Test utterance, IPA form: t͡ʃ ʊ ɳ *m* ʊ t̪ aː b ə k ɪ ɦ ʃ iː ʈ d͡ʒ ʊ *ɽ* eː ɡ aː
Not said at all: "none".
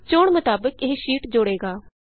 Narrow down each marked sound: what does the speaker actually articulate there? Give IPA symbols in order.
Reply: m, ɽ

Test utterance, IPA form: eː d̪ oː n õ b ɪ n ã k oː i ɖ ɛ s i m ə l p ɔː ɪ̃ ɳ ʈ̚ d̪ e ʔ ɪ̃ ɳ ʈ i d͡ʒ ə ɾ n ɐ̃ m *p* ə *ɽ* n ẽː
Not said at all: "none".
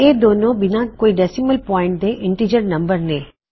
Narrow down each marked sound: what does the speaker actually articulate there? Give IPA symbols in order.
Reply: b, ɾ

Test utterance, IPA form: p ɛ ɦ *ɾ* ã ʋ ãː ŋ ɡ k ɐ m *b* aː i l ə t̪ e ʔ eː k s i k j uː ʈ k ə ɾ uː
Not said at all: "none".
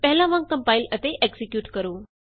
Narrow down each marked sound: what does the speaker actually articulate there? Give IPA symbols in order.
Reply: l, p

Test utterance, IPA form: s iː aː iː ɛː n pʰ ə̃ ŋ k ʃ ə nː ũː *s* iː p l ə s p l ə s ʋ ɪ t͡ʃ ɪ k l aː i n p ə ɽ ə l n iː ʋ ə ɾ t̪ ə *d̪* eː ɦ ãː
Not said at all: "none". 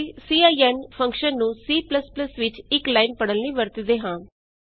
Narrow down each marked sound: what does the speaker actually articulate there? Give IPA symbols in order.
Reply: s, d̪

